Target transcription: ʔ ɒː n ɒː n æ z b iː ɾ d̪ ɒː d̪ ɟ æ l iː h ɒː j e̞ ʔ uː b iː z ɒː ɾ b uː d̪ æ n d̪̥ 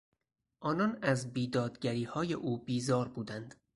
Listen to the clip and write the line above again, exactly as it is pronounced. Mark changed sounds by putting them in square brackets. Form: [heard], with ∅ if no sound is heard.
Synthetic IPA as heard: ʔ ɒː n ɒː n æ z b iː [∅] d̪ ɒː d̪ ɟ æ [ɾ] iː h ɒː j e̞ ʔ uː b iː z ɒː ɾ b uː d̪ æ n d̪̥